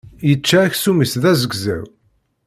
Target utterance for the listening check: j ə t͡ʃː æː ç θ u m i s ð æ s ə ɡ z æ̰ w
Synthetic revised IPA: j ə t͡ʃː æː ç s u m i s ð æ z ə ɡ z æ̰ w